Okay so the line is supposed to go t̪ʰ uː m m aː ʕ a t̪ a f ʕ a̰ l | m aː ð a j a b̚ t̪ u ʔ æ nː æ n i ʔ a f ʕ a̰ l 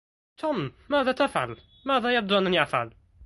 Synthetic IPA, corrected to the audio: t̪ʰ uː m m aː ð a t̪ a f ʕ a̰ l | m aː ð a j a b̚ d̪ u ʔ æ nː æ n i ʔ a f ʕ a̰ l